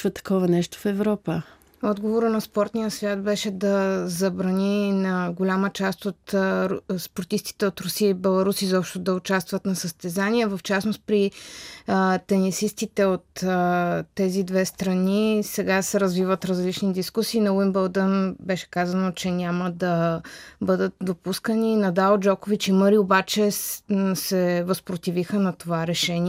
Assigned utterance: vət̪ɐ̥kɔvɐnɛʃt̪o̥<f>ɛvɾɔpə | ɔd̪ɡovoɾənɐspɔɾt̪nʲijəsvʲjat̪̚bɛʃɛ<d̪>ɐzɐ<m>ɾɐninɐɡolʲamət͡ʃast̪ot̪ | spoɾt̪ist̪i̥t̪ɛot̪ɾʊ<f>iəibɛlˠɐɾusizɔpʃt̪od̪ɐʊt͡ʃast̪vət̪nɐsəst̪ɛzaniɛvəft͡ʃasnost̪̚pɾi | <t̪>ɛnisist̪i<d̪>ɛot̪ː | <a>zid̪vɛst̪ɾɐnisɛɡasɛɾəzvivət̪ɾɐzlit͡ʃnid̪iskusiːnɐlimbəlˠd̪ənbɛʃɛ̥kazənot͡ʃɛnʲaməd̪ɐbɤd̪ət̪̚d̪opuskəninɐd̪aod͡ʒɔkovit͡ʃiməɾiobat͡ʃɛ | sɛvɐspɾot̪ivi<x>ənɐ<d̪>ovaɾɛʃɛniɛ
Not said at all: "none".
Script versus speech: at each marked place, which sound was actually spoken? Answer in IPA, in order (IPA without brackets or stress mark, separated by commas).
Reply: f, d̪, b, s, t̪, t̪, ɛ, x, t̪